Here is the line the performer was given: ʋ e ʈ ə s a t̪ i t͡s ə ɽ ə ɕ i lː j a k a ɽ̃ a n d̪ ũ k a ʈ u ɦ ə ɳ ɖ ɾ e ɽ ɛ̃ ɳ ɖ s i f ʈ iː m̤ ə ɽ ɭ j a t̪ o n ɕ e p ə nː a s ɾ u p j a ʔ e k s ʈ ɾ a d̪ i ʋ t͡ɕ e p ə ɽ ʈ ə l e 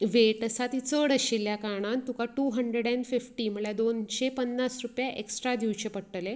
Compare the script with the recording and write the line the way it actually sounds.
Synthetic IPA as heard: ʋ e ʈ ə s a t̪ i t͡s ə ɽ ə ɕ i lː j a k a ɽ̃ a n t̪ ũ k a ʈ u ɦ ə ɳ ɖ ɾ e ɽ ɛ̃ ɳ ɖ f i f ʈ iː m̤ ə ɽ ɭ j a d̪ o n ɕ e p ə nː a s ɾ u p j a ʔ e k s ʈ ɾ a d̪ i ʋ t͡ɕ e p ə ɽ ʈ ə l e